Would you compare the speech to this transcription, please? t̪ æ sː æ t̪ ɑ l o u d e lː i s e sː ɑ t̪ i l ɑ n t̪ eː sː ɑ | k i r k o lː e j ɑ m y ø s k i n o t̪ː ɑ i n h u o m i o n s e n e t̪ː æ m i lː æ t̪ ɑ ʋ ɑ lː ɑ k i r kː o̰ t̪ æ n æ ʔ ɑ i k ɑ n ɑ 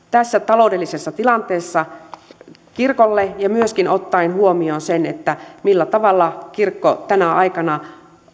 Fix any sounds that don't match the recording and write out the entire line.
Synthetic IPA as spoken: t̪ æ sː æ t̪ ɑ l o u d e lː i s e sː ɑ t̪ i l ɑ n t̪ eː sː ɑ | k i r k o lː e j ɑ m y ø s k i n o t̪ː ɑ i n h u o m i o n s e n e t̪ː æ m i lː æ t̪ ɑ ʋ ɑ lː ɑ k i r kː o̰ t̪ æ n æ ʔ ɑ i k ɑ n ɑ